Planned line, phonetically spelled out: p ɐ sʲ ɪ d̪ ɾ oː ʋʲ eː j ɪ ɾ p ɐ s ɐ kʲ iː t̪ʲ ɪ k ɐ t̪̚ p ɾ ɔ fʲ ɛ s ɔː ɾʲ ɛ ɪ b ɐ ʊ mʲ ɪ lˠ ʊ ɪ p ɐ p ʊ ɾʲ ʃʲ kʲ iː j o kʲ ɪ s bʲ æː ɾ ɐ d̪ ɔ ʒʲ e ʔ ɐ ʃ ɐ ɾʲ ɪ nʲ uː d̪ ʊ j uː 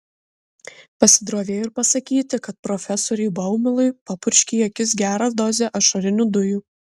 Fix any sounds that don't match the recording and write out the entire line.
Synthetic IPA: p ɐ sʲ ɪ d̪ ɾ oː ʋʲ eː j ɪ ɾ p ɐ s ɐ kʲ iː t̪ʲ ɪ k ɐ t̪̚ p ɾ ɔ fʲ ɛ s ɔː ɾʲ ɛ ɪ b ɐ ʊ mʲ ɪ lˠ ʊ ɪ p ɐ p ʊ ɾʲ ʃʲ kʲ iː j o kʲ ɪ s ɡʲ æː ɾ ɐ d̪ ɔ zʲ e ʔ ɐ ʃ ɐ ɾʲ ɪ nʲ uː d̪ ʊ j uː